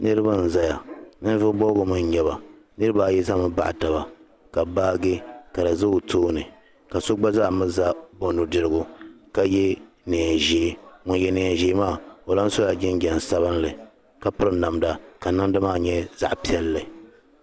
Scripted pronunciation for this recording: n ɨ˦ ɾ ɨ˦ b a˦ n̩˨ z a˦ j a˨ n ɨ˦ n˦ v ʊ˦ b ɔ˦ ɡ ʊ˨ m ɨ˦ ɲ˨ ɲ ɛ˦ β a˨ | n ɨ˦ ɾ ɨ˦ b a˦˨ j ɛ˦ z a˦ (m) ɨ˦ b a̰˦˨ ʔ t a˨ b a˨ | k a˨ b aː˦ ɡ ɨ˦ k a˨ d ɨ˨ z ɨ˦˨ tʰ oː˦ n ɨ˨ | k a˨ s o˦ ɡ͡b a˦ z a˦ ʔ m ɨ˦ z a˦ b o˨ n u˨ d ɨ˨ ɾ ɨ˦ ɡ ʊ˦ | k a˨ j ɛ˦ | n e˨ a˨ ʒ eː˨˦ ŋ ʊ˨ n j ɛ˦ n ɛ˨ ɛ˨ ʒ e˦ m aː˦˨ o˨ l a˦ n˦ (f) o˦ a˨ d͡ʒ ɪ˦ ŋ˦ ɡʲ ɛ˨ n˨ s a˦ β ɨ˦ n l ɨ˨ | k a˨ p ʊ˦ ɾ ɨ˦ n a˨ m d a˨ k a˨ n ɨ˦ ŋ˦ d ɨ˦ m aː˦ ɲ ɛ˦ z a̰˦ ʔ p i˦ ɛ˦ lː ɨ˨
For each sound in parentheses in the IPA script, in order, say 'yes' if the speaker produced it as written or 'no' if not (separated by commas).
yes, no